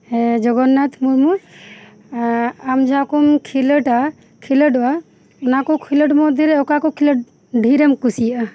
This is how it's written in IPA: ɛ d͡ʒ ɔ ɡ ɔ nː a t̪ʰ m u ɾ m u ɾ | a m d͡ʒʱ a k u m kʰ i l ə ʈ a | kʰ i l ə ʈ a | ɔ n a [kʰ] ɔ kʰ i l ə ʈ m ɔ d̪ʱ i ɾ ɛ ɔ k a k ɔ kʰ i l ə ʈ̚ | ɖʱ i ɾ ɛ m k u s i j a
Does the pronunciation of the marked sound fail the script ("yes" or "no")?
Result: yes